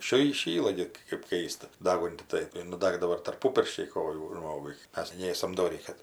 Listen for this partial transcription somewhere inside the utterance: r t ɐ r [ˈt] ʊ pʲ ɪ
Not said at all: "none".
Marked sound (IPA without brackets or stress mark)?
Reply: p